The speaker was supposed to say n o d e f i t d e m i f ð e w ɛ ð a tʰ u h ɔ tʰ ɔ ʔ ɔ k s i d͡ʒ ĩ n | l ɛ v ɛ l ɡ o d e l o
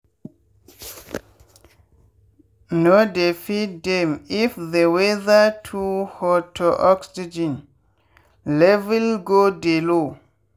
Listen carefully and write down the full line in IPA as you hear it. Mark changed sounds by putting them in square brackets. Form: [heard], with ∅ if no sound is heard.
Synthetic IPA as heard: n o d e f i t d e m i f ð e w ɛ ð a tʰ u h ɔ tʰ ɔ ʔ ɔ k s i d͡ʒ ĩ n | l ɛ v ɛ l ɡ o d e l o